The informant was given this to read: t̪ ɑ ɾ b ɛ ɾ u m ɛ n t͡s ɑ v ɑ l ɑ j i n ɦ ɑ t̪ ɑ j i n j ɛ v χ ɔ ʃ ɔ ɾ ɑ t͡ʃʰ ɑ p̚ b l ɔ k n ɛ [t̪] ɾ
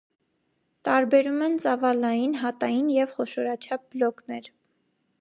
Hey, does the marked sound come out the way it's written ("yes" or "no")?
no